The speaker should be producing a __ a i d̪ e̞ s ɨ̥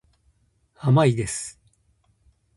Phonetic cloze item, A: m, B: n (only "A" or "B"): A